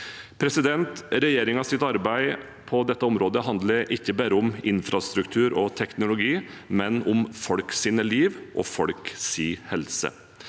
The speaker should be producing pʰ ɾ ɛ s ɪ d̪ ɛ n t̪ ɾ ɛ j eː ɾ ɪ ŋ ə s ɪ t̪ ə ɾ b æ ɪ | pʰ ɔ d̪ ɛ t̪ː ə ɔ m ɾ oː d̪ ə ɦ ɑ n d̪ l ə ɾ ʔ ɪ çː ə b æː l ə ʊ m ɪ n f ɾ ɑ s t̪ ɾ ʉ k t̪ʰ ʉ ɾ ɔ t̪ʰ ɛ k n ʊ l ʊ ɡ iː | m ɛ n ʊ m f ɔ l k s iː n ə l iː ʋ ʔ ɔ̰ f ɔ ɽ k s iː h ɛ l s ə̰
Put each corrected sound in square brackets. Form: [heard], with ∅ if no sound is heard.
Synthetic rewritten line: pʰ ɾ ɛ s ɪ d̪ ɛ n t̪ ɾ ɛ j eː ɾ ɪ ŋ [ɑ] s ɪ t̪ [ɑ] ɾ b æ ɪ | pʰ ɔ d̪ ɛ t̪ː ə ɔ m ɾ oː d̪ ə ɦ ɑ n d̪ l ə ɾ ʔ ɪ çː ə b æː [ɾ] ə ʊ m ɪ n f ɾ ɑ s t̪ ɾ ʉ k t̪ʰ [ʉː] ɾ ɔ t̪ʰ ɛ k n ʊ l ʊ ɡ iː | m ɛ n ʊ m f ɔ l k s iː n ə l iː ʋ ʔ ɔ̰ f ɔ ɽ k s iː h ɛ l s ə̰